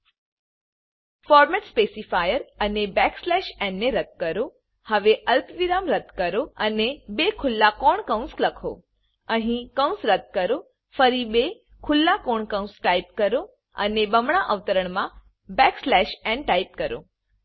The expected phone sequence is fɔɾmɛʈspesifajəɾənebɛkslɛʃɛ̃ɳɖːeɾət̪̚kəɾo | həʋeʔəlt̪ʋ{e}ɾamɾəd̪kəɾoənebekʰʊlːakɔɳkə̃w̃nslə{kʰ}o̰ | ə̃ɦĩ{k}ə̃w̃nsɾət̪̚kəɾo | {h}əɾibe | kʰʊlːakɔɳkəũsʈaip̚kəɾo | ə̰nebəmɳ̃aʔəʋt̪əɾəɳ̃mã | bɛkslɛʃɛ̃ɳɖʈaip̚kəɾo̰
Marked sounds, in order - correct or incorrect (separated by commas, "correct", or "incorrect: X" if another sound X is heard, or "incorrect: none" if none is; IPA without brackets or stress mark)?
incorrect: i, correct, correct, incorrect: f